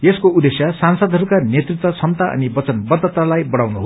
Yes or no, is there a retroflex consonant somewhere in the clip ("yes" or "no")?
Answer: yes